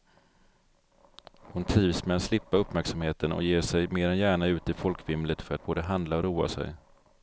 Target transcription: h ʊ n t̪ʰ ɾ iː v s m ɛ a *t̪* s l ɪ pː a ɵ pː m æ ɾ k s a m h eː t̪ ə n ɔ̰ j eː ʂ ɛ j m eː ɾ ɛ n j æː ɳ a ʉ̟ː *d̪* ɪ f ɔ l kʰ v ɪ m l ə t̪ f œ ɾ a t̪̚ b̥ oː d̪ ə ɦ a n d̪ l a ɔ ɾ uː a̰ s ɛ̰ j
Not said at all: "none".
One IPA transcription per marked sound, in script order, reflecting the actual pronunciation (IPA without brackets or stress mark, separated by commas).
t̪, t̪